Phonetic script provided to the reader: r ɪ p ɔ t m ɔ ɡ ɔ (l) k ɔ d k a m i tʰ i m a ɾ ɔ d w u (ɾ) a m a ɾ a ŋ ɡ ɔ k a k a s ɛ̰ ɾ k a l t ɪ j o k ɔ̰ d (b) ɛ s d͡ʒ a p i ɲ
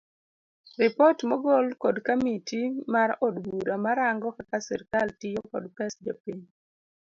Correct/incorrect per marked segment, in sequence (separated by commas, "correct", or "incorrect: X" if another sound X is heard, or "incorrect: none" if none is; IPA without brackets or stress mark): correct, correct, incorrect: p